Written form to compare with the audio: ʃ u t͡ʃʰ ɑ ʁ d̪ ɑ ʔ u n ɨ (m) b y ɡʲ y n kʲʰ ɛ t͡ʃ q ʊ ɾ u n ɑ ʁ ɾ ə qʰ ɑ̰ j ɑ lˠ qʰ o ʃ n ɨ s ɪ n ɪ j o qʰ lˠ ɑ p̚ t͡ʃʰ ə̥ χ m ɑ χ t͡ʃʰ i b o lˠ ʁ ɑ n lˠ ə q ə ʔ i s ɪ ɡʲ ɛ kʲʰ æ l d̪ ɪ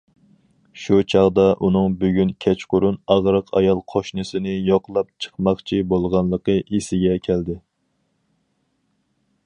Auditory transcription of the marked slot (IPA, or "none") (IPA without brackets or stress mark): ŋ